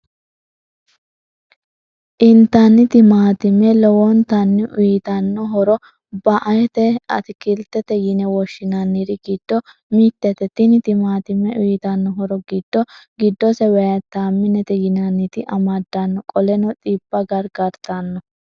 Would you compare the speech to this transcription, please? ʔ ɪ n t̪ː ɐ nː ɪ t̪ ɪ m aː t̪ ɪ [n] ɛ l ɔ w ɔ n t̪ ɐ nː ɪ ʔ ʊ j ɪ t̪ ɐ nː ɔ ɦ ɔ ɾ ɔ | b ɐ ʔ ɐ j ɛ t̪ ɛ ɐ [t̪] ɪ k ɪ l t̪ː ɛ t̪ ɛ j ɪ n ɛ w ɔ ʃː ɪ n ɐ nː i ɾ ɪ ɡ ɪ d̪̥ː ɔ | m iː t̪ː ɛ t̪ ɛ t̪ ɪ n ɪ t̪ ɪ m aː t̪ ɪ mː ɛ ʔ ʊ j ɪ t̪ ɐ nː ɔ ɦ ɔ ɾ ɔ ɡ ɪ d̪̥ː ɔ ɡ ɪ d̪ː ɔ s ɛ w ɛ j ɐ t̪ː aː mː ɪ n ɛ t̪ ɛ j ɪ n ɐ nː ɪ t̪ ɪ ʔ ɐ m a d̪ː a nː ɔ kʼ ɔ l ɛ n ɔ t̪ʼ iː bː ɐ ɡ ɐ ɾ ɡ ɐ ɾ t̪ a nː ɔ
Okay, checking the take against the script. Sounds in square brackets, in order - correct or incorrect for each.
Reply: incorrect: m, correct

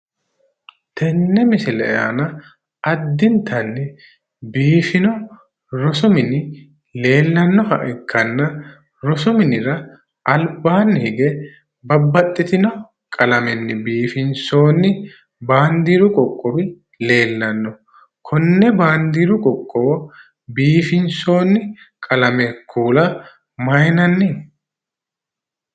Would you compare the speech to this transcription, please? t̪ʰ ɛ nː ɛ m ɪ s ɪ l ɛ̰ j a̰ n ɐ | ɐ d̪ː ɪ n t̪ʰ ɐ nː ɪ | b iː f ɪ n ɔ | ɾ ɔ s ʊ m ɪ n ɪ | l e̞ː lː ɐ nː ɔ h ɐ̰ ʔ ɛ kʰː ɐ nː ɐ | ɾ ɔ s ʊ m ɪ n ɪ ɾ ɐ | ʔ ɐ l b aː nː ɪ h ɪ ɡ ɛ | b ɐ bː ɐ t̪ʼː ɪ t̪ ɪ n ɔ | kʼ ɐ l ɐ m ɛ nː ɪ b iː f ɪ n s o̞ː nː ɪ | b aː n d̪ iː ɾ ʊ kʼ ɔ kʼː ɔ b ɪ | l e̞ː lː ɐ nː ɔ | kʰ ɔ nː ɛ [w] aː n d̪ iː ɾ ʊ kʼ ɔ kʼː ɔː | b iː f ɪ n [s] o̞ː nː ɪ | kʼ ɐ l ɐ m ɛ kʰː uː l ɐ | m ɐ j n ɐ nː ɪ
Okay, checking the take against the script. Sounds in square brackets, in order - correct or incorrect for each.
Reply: incorrect: b, correct

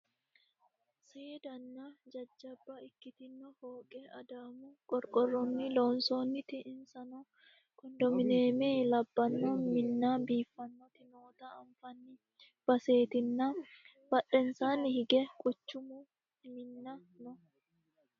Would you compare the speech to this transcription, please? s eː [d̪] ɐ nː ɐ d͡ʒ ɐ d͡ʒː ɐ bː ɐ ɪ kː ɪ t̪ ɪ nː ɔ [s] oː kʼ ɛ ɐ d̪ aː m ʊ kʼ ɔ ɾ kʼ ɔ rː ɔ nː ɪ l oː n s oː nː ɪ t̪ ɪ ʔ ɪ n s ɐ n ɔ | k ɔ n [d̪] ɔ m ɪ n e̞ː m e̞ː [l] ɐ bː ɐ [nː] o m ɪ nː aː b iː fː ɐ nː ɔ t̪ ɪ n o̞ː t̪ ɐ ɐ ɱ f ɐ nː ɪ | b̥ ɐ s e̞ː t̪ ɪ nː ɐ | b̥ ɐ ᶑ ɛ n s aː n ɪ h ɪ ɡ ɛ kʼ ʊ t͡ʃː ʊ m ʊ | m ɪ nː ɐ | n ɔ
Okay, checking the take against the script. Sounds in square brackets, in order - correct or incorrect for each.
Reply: correct, incorrect: h, correct, correct, correct

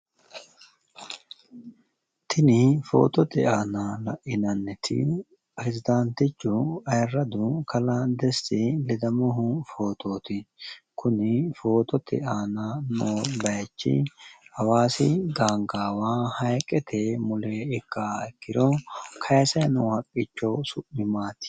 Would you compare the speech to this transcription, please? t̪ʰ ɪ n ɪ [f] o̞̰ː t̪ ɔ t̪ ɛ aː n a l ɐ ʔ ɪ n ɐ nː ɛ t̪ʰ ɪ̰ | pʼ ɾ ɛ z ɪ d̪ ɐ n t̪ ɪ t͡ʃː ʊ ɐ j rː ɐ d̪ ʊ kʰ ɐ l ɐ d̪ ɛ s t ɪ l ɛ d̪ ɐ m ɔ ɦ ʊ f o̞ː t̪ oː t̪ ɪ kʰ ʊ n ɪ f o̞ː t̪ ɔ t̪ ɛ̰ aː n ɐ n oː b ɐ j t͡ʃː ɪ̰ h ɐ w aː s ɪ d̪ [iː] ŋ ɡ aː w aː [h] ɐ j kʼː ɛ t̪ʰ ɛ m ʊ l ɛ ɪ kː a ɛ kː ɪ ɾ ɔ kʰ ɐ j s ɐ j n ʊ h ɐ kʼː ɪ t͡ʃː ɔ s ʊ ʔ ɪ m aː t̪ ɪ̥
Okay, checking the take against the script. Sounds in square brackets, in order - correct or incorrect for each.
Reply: correct, incorrect: aː, correct

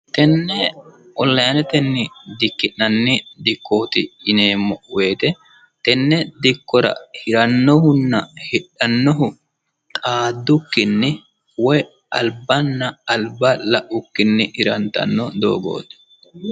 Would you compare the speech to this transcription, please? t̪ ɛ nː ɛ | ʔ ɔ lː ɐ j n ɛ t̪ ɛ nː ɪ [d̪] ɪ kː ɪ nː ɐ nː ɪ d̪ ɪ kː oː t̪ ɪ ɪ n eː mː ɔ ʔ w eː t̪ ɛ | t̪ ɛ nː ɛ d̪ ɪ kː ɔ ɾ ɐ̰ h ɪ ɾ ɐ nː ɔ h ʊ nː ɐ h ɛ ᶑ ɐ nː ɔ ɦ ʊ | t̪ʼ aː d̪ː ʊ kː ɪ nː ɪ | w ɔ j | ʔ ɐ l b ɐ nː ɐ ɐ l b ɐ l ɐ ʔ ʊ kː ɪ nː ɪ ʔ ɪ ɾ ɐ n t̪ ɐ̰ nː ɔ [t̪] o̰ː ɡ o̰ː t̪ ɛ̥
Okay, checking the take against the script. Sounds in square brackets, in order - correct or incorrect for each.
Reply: correct, incorrect: d̪

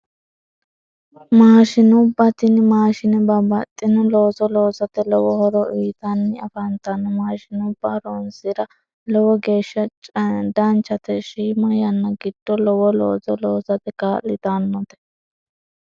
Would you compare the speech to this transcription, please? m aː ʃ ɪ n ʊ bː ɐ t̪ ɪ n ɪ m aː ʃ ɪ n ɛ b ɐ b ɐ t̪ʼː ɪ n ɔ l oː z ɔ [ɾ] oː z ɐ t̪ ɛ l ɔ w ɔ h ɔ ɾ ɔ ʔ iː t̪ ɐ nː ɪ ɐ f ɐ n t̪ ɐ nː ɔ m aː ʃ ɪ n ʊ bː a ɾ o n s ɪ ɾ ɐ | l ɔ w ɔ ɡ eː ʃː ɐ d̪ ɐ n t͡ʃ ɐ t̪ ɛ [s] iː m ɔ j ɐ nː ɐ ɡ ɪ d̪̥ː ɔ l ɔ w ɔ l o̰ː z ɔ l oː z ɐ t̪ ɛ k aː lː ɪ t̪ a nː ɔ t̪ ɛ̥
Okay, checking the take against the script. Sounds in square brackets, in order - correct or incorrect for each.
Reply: incorrect: l, incorrect: ʃ

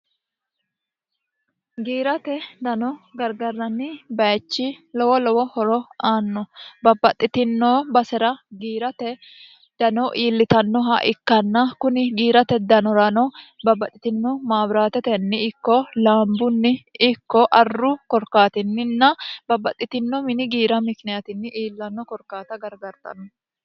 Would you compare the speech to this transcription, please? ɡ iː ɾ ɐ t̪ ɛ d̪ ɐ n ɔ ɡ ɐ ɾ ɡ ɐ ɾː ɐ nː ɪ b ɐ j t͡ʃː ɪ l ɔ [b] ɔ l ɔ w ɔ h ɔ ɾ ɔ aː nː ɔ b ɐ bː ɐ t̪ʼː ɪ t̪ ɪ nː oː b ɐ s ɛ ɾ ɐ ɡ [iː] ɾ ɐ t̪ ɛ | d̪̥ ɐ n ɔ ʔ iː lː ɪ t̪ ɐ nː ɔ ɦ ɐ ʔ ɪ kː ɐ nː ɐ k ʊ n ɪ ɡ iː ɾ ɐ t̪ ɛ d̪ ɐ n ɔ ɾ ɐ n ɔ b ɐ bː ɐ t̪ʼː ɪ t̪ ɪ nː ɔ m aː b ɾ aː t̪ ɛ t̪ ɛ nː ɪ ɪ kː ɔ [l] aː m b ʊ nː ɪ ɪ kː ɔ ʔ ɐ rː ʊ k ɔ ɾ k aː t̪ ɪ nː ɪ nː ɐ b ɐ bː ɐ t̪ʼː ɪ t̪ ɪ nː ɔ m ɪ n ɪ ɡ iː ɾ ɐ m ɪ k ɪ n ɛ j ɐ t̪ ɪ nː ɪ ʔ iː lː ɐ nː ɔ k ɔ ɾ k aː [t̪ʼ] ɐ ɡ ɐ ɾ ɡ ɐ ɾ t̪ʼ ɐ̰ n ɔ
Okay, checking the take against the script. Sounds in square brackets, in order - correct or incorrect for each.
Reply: incorrect: w, correct, correct, incorrect: t̪

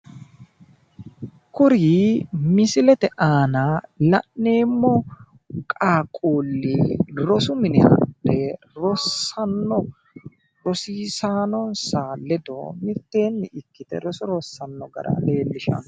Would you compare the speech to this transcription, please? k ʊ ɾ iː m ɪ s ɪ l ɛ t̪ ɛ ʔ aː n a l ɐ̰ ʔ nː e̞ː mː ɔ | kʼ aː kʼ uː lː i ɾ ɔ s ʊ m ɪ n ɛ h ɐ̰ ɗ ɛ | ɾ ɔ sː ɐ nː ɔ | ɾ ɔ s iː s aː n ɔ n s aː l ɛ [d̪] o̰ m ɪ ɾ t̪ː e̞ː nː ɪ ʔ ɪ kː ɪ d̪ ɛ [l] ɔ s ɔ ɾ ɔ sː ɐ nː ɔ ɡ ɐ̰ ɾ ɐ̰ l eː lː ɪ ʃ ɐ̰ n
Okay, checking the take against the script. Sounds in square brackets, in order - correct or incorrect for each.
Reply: correct, incorrect: ɾ

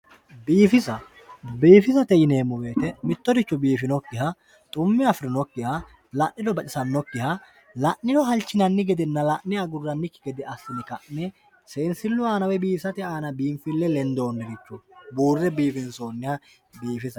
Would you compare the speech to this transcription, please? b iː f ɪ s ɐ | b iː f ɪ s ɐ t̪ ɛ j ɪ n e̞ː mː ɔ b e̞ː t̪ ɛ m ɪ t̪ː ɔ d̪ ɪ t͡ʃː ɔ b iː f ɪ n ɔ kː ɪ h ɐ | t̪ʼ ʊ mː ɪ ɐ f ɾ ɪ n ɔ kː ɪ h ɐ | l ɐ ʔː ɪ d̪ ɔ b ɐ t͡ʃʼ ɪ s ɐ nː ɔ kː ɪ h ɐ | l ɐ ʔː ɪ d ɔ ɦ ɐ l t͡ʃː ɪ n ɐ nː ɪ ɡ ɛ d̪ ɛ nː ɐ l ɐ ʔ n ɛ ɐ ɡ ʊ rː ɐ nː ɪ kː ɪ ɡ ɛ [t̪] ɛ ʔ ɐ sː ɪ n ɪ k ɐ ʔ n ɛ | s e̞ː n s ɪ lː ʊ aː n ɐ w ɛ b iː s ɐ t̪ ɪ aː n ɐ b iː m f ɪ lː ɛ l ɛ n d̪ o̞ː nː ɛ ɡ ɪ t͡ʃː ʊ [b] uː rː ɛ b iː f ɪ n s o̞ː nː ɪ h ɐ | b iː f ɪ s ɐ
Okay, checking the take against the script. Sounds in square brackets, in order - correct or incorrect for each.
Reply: incorrect: d̪, correct

